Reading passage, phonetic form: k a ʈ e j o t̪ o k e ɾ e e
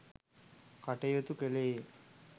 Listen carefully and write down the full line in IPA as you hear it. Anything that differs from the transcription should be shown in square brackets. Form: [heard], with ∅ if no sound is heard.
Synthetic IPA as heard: k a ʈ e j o t̪ [u] k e [l] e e